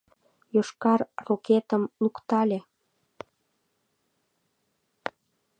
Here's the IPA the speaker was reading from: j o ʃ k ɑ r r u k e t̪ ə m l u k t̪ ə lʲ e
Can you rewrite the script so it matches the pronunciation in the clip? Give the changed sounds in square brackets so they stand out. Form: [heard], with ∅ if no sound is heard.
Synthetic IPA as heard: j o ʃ k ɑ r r [o] k e t̪ ə m l u k t̪ [ɑ] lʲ e